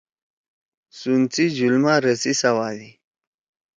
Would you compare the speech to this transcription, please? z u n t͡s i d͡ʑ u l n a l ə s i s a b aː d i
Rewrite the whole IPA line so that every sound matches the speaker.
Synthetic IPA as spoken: s u n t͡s i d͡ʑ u l m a ɾ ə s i s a w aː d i